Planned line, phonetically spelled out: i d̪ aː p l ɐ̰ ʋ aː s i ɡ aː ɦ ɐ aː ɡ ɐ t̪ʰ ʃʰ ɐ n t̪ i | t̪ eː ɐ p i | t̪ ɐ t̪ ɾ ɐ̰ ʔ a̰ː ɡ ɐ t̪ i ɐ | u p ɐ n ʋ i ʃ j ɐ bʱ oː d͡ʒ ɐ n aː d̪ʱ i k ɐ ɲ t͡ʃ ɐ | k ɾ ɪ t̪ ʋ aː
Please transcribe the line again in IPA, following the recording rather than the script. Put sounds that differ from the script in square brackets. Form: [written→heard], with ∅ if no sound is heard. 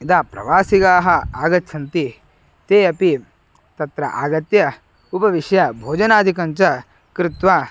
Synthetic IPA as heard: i d̪ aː p [l→ɾ] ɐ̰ ʋ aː s i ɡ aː ɦ ɐ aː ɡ ɐ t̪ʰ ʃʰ ɐ n t̪ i | t̪ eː ɐ p i | t̪ ɐ t̪ ɾ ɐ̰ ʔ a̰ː ɡ ɐ t̪ [i→j] ɐ | u p ɐ [n→∅] ʋ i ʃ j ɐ bʱ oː d͡ʒ ɐ n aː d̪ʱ i k ɐ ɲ t͡ʃ ɐ | k ɾ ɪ t̪ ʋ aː